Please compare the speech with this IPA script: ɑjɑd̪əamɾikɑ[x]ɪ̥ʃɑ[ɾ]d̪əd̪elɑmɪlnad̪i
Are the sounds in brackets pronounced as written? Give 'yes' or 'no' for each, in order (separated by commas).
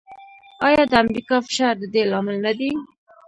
no, yes